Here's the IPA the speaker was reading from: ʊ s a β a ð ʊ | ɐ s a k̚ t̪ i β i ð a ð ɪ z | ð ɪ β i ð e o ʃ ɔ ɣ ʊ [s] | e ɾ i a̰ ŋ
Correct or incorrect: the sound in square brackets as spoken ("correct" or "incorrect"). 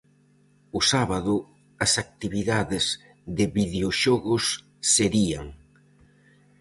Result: incorrect